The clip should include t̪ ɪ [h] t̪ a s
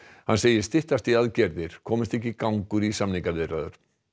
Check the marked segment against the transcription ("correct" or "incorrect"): correct